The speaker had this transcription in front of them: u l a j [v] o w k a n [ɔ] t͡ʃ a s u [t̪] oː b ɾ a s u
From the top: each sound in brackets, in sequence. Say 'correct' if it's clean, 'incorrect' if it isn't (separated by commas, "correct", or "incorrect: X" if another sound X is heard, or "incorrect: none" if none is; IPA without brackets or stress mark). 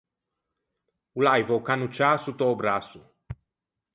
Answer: correct, incorrect: u, correct